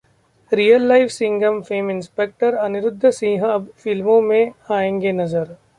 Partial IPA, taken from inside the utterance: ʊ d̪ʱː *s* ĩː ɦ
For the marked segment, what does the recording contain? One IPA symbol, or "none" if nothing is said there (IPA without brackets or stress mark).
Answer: s